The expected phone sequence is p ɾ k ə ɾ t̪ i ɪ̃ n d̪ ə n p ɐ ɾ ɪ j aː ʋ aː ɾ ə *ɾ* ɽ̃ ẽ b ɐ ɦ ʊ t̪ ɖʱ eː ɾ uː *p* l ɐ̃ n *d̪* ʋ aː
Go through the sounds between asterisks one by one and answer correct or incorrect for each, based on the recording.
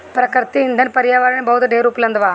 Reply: incorrect, correct, correct

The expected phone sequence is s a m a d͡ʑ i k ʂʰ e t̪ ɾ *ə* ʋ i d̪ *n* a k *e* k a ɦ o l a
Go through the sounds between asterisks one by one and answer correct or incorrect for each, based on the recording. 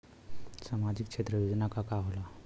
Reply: correct, correct, incorrect

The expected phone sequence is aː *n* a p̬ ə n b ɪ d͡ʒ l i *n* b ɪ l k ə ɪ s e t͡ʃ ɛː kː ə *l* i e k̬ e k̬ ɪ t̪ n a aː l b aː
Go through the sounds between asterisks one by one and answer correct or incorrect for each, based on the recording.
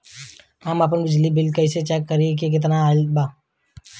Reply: incorrect, incorrect, incorrect

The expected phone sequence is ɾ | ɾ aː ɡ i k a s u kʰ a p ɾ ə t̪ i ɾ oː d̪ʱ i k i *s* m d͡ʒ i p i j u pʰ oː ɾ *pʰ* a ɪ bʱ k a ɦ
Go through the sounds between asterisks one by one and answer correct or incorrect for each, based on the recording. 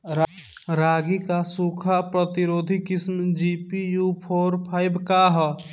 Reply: correct, correct

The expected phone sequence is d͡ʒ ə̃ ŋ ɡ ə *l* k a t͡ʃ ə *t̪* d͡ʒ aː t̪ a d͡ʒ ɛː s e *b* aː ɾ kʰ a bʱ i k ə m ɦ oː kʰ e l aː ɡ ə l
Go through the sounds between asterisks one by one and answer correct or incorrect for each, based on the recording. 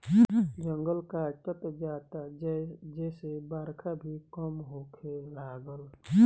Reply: correct, correct, correct

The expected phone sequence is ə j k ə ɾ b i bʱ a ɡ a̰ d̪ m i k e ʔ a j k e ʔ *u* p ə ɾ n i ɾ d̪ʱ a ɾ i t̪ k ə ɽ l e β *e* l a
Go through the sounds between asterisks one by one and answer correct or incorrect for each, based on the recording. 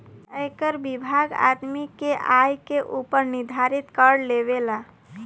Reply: correct, correct

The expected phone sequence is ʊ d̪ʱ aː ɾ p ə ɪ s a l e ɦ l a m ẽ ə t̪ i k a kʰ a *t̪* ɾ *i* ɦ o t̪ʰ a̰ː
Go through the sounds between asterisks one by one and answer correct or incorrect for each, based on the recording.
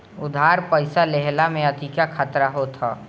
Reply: correct, incorrect

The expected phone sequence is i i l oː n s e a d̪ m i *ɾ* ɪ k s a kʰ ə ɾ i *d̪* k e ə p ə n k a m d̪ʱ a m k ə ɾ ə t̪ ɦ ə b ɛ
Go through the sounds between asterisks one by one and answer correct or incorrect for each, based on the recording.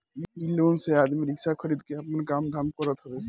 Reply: correct, correct

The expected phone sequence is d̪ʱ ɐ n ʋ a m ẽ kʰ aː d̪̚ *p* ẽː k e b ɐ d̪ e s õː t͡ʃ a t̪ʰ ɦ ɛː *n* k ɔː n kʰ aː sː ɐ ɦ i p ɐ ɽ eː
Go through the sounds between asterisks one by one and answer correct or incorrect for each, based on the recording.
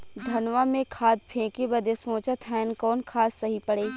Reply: incorrect, correct

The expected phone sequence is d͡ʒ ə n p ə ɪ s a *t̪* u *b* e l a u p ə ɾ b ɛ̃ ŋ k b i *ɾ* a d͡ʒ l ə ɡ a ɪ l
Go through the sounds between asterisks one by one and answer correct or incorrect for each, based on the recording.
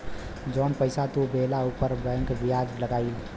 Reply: correct, correct, incorrect

